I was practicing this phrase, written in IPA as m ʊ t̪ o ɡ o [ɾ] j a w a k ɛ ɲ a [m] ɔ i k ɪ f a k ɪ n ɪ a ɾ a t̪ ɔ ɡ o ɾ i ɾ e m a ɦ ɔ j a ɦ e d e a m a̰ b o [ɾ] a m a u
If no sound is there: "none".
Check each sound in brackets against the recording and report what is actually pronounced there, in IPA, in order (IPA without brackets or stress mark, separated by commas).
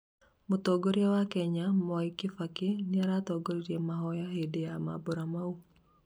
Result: ɾ, m, ɾ